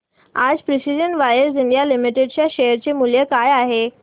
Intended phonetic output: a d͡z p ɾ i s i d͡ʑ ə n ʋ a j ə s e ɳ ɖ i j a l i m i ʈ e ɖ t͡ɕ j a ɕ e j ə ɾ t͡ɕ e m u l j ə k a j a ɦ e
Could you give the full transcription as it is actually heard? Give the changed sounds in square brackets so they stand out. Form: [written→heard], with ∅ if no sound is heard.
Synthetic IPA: a d͡z p ɾ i s i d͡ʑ ə n ʋ a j ə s [e→i] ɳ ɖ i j a l i m i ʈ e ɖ t͡ɕ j a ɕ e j ə ɾ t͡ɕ e m u l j ə k a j a ɦ e